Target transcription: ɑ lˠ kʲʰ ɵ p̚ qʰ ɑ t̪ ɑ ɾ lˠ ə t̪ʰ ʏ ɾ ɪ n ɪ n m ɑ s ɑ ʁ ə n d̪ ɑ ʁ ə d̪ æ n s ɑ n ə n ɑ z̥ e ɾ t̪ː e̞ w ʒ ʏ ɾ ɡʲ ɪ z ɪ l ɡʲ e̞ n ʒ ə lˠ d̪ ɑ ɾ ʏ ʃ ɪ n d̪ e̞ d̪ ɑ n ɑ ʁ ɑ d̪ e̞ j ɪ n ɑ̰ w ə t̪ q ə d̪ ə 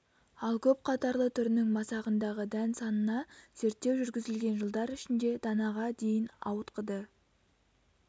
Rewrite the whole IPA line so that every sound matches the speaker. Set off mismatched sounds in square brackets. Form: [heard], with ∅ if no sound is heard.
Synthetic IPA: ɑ lˠ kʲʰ ɵ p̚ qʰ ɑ t̪ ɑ ɾ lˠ ə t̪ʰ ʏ ɾ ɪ n ɪ [ŋ] m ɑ s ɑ ʁ ə n d̪ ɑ ʁ ə d̪ æ n s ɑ n ə n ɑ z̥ e ɾ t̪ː e̞ w ʒ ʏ ɾ ɡʲ ɪ z ɪ l ɡʲ e̞ n ʒ ə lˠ d̪ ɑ ɾ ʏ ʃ ɪ n d̪ e̞ d̪ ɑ n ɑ ʁ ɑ d̪ e̞ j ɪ n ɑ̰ w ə t̪ q ə d̪ ə